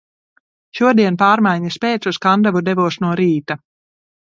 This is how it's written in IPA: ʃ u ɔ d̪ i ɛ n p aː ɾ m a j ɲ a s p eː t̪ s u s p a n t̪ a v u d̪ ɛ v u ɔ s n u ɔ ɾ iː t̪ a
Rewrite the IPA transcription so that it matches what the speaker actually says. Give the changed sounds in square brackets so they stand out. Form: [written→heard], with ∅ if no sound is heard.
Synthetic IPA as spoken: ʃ u ɔ d̪ i ɛ n p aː ɾ m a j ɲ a s p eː t̪ s u s [p→k] a n [t̪→d̪] a v u d̪ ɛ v u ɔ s n u ɔ ɾ iː t̪ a

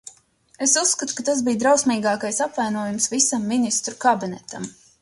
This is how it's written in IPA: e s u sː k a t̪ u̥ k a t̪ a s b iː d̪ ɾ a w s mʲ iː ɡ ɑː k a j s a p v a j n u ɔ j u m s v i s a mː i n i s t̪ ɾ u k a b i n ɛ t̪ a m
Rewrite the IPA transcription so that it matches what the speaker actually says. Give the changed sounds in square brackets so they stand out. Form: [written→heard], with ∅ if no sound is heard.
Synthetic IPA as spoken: e s u sː k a t̪ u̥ k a t̪ a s b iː d̪ ɾ a w s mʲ iː ɡ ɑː k a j s a p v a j n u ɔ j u m s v i s a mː i n i s t̪ ɾ u k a b i n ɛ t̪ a m

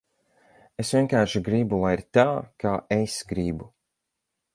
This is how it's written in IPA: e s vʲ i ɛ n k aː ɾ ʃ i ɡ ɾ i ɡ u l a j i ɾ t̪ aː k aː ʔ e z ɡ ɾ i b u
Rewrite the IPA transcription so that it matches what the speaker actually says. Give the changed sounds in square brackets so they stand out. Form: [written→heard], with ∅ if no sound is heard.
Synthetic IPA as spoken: e s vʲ i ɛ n k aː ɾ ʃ i ɡ ɾ i [ɡ→b] u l a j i ɾ t̪ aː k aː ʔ e [z→s] ɡ ɾ i b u

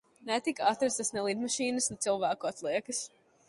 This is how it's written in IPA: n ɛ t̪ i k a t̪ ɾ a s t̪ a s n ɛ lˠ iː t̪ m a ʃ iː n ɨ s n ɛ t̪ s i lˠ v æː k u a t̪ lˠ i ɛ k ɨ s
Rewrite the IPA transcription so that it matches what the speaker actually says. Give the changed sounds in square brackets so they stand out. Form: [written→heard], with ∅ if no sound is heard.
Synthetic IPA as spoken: n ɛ t̪ i k a t̪ ɾ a s t̪ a s n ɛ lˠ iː [t̪→d̪] m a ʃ iː n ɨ s n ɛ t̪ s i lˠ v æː k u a t̪ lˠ i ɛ k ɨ s

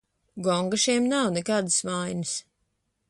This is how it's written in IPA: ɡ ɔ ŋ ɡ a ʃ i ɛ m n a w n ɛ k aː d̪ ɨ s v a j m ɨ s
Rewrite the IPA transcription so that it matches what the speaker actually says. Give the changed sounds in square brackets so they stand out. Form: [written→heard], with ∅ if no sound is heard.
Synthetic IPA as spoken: ɡ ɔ ŋ ɡ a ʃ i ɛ m n a w n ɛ k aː d̪ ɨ s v a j [m→n] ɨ s

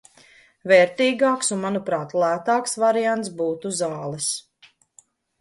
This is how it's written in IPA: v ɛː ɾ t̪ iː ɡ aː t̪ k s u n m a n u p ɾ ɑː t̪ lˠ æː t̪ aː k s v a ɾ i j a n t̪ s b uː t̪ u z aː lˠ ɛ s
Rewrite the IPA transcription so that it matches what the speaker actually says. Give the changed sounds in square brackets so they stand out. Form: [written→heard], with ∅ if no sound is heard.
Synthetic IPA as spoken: v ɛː ɾ t̪ iː ɡ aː [t̪→∅] k s u n m a n u p ɾ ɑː t̪ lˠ æː t̪ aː k s v a ɾ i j a n t̪ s b uː t̪ u z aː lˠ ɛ s

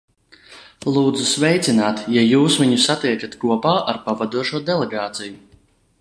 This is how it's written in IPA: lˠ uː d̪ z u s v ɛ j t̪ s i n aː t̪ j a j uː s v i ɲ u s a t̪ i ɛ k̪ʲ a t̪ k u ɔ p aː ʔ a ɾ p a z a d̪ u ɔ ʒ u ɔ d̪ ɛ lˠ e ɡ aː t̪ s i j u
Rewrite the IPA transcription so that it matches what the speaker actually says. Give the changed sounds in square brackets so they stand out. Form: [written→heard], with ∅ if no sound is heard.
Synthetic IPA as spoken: lˠ uː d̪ z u s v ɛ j t̪ s i n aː t̪ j a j uː s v i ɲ u s a t̪ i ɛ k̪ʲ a t̪ k u ɔ p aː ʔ a ɾ p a [z→v] a d̪ u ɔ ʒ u ɔ d̪ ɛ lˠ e ɡ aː t̪ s i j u

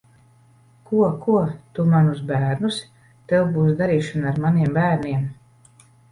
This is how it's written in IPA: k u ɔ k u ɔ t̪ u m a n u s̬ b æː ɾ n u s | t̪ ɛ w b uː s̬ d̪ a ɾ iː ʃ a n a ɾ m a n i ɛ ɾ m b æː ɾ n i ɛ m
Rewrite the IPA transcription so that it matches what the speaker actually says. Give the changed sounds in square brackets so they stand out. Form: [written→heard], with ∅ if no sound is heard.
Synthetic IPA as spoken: k u ɔ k u ɔ t̪ u m a n u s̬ b æː ɾ n u s | t̪ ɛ w b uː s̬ d̪ a ɾ iː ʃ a n a ɾ m a n i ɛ [ɾ→∅] m b æː ɾ n i ɛ m

